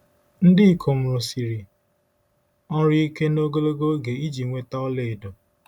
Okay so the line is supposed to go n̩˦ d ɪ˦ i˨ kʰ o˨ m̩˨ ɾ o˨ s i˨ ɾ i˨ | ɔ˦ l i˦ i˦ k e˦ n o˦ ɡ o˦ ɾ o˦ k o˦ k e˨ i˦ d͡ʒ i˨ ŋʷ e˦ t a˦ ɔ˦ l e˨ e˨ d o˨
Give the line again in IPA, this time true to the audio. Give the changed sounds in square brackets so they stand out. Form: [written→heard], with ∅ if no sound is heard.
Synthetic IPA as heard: n̩˦ d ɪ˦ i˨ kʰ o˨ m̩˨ ɾ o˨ s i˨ ɾ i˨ | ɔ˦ [l→ɾ] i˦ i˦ k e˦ n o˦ ɡ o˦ [ɾ→l] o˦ [k→ɡ] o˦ [k→ɡ] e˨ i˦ d͡ʒ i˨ ŋʷ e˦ t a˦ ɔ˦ l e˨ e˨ d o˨